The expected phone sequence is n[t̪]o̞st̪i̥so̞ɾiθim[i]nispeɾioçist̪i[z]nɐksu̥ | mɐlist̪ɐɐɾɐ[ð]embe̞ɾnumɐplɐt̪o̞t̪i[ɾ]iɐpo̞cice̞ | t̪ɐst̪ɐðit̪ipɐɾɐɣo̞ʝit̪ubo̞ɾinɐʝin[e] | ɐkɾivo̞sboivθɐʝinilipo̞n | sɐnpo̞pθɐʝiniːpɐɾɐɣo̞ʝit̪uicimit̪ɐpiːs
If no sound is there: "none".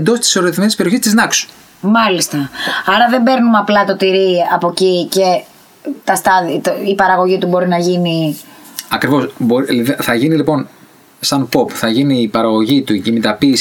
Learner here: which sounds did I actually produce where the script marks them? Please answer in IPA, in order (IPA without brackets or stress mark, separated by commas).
d̪, e, z, ð, ɾ, i